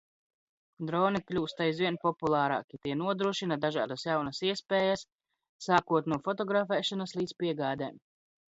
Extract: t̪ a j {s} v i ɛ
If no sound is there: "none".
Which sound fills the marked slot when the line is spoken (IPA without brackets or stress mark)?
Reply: z